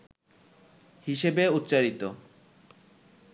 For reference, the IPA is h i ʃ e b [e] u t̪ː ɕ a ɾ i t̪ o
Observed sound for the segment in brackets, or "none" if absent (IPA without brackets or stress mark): e